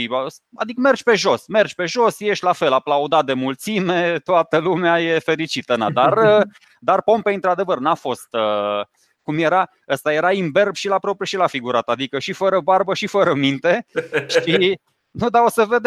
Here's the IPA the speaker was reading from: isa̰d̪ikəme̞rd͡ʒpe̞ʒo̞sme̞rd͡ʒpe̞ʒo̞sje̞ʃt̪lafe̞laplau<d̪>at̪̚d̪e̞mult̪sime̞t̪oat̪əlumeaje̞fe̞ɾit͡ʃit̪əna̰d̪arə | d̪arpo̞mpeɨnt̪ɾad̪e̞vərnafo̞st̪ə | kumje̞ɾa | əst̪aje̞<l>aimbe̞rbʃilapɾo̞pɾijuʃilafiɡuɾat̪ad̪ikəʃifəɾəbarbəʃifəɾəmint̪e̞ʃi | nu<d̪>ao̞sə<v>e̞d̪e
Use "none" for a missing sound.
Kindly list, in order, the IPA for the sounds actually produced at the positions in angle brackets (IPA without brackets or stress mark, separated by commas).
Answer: d̪, ɾ, d̪, v